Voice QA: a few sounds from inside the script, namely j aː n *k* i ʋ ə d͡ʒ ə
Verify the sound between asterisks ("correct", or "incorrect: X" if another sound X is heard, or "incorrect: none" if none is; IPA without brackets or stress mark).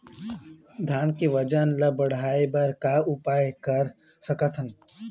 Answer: correct